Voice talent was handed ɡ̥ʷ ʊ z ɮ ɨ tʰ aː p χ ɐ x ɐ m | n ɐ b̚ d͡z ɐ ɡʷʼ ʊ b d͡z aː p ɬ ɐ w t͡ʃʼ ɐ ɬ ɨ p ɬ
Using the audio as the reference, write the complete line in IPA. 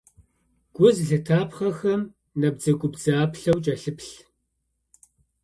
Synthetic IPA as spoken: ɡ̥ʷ ʊ z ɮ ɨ tʰ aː p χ ɐ x ɐ m | n ɐ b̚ d͡z ɐ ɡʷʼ ʊ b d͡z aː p ɬ ɐ w t͡ʃʼ ɐ ɬ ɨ p ɬ